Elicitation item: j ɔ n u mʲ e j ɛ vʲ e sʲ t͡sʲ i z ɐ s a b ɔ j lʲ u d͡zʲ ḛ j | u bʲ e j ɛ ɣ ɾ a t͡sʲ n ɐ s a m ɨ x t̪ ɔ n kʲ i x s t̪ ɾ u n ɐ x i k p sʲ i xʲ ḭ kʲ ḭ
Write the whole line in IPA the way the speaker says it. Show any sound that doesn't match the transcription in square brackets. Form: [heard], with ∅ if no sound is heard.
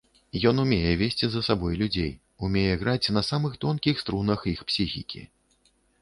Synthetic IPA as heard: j ɔ n u mʲ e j ɛ vʲ e sʲ t͡sʲ i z ɐ s a b ɔ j lʲ u d͡zʲ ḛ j | u [mʲ] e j ɛ ɣ ɾ a t͡sʲ n ɐ s a m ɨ x t̪ ɔ n kʲ i x s t̪ ɾ u n ɐ x i [x] p sʲ i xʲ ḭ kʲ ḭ